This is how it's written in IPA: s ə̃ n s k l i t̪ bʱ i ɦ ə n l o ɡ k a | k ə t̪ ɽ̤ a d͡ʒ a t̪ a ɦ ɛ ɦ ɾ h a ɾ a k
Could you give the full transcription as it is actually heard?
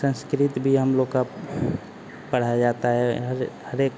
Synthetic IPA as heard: s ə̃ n s k ɾ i t̪ bʱ i ɦ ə m l o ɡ k a | p ə ɽ̤ a d͡ʒ a t̪ a ɦ ɛ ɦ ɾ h ə ɾ e k